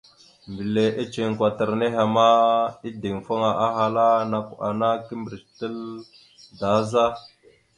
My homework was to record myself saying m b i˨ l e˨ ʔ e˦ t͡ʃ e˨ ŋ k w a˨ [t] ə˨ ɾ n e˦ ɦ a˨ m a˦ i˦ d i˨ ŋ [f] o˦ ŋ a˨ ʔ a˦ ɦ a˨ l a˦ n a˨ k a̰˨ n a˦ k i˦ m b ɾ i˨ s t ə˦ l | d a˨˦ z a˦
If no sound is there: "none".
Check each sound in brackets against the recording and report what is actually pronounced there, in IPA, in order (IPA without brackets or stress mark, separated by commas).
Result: t, f